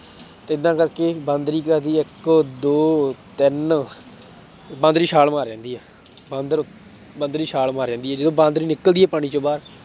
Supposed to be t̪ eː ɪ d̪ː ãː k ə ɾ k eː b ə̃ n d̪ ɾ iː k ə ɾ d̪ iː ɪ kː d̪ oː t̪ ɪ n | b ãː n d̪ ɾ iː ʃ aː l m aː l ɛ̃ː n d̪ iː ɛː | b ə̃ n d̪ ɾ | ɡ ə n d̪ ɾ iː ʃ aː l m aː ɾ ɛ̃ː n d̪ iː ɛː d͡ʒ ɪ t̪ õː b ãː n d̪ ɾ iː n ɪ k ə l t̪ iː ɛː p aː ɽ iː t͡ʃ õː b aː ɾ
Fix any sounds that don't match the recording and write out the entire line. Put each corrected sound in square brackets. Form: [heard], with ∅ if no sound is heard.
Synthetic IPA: t̪ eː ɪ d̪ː ãː k ə ɾ k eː b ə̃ n d̪ ɾ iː k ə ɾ d̪ iː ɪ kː d̪ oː t̪ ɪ n | b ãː n d̪ ɾ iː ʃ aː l m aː [ɾ] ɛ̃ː n d̪ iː ɛː | b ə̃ n d̪ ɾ | [b] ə n d̪ ɾ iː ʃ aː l m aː ɾ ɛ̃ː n d̪ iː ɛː d͡ʒ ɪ [d̪] õː b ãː n d̪ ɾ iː n ɪ k ə l [d̪] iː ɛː p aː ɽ iː t͡ʃ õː b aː ɾ